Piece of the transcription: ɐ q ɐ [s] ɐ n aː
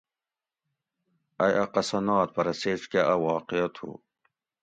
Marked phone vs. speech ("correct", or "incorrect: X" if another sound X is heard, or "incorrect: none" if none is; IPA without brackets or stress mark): correct